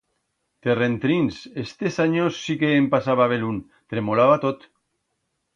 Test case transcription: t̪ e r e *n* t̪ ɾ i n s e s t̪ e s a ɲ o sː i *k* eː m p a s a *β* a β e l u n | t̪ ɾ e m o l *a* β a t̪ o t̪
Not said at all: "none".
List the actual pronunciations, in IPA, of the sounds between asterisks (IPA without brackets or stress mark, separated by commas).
n, k, β, a